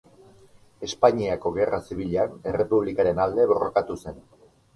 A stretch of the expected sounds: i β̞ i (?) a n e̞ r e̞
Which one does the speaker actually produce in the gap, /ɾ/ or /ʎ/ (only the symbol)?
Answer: ʎ